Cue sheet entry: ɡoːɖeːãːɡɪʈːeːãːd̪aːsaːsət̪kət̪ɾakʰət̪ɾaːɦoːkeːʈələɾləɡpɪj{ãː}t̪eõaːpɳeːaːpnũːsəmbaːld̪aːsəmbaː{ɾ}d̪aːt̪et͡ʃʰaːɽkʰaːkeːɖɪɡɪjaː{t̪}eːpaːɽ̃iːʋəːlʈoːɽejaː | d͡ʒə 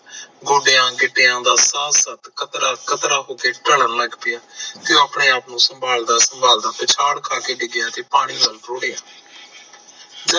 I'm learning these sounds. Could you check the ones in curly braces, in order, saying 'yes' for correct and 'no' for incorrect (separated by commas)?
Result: no, no, yes